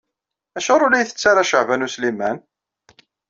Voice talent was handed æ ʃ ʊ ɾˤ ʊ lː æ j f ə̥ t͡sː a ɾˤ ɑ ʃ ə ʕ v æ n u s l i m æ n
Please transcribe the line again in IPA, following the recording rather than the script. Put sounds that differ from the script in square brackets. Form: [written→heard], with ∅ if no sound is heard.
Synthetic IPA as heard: æ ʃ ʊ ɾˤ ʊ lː æ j [f→θ] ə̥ t͡sː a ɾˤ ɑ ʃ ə ʕ v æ n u s l i m æ n